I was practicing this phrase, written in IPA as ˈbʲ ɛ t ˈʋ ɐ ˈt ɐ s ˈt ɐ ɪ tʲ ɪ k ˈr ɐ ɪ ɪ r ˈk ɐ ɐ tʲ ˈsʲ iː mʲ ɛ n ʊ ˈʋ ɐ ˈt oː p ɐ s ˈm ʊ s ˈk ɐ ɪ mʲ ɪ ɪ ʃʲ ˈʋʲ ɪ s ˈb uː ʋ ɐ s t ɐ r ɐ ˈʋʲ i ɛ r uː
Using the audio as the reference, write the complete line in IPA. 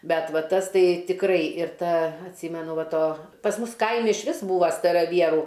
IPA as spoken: ˈbʲ ɛ t ˈʋ ɐ ˈt ɐ s ˈt ɐ ɪ tʲ ɪ k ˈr ɐ ɪ ɪ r ˈt ɐ ɐ tʲ ˈsʲ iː mʲ ɛ n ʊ ˈʋ ɐ ˈt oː p ɐ s ˈm ʊ s ˈk ɐ ɪ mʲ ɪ ɪ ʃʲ ˈʋʲ ɪ s ˈb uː ʋ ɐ s t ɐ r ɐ ˈʋʲ i ɛ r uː